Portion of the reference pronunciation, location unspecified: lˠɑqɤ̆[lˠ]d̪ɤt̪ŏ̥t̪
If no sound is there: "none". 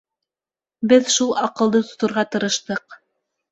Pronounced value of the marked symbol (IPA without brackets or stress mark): lˠ